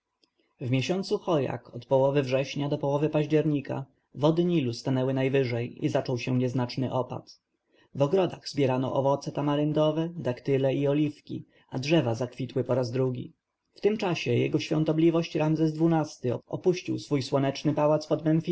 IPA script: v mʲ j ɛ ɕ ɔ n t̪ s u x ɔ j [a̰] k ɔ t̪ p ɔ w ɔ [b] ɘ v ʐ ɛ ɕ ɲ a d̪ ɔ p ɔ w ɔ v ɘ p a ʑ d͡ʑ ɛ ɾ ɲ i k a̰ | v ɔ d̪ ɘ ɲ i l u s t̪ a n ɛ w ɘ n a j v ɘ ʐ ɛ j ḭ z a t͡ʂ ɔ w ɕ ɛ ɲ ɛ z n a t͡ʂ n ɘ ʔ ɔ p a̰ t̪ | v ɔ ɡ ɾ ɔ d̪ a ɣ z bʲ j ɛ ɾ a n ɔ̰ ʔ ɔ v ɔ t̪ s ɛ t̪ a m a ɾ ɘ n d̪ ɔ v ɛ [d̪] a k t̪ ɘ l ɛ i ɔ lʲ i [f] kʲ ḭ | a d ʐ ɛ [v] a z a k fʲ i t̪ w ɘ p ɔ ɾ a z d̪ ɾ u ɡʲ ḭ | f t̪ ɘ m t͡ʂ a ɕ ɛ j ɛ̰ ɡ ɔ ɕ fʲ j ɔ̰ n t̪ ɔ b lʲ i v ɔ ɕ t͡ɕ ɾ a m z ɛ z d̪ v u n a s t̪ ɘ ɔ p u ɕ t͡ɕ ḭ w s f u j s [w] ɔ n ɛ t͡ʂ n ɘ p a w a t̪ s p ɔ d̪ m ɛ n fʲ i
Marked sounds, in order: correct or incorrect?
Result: correct, incorrect, correct, correct, correct, correct

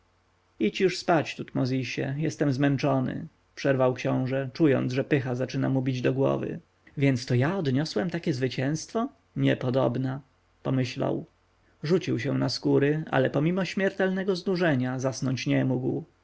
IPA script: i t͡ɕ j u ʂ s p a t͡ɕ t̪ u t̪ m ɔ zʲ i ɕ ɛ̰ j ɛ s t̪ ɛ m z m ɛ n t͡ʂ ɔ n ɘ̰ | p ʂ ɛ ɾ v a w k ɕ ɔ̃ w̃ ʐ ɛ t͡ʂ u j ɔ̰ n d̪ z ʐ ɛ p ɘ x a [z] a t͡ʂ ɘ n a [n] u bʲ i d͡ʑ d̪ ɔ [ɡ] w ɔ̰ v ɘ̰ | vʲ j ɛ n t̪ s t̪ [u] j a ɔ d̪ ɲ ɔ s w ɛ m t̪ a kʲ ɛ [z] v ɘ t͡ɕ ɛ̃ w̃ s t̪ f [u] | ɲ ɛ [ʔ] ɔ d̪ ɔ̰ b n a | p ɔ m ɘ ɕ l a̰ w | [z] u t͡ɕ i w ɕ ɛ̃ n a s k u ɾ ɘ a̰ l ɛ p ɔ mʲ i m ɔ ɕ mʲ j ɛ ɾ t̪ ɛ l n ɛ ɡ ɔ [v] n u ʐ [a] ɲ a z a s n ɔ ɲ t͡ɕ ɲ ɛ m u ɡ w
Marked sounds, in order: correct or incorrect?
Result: correct, incorrect, correct, incorrect, correct, incorrect, incorrect, incorrect, incorrect, incorrect

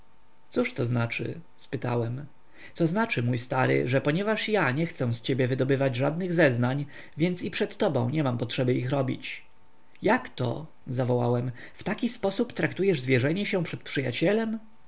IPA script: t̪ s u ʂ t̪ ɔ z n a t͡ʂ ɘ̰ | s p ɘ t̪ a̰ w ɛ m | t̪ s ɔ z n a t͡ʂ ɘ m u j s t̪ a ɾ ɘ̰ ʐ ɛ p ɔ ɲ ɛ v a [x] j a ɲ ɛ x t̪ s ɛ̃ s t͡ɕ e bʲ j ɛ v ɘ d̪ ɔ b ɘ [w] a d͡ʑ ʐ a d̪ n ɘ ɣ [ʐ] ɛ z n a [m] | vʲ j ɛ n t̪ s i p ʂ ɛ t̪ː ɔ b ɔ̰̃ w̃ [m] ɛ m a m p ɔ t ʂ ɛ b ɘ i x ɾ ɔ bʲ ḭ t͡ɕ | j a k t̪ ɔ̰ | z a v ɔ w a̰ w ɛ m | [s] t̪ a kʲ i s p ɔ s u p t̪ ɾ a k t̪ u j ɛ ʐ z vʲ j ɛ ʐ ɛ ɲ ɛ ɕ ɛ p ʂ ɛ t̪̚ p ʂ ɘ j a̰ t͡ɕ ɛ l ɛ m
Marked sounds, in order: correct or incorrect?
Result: incorrect, incorrect, incorrect, incorrect, incorrect, incorrect

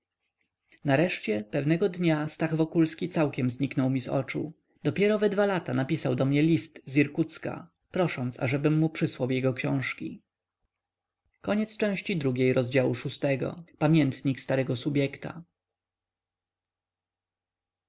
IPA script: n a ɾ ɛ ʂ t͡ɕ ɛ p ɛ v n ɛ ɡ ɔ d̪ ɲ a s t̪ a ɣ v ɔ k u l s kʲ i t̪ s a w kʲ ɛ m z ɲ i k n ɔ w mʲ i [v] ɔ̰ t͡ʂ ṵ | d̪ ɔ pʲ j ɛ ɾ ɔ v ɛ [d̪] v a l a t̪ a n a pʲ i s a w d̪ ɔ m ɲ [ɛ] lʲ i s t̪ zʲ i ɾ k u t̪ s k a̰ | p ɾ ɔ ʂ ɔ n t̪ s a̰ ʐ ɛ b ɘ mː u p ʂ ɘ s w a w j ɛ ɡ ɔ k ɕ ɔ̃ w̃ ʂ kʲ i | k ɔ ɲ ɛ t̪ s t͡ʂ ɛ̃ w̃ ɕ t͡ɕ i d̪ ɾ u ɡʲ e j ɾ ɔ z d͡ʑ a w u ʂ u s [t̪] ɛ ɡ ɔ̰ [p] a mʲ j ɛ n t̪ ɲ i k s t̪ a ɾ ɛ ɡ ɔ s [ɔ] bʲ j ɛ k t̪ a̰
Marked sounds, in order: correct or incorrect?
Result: incorrect, correct, correct, correct, correct, incorrect

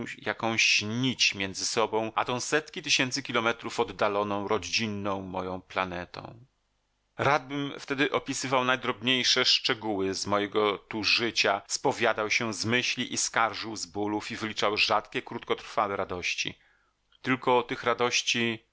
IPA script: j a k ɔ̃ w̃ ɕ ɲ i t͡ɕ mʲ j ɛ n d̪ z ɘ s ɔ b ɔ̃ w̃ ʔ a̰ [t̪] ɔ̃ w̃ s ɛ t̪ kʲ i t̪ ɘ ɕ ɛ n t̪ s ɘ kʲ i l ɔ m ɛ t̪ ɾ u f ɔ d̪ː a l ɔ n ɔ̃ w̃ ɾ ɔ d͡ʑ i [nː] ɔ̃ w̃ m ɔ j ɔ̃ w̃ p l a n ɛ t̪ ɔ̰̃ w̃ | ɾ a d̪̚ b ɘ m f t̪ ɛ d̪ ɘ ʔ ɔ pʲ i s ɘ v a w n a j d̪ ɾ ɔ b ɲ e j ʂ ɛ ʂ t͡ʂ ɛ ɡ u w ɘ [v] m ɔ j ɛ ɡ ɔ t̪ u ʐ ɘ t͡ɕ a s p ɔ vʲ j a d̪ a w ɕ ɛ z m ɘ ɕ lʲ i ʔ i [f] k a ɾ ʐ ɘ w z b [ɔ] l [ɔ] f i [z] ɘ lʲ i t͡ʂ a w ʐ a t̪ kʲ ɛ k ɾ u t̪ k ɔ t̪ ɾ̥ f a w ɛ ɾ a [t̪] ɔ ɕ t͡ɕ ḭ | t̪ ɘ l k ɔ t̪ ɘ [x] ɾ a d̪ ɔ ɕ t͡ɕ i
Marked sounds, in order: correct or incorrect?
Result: correct, correct, incorrect, incorrect, incorrect, incorrect, incorrect, incorrect, correct

